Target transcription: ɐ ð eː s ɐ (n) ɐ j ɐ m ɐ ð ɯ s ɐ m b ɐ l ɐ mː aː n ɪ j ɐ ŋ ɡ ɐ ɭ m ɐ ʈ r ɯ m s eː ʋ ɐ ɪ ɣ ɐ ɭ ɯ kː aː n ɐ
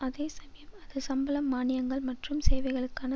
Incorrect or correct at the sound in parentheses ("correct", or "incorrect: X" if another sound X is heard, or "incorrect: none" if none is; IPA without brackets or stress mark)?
incorrect: m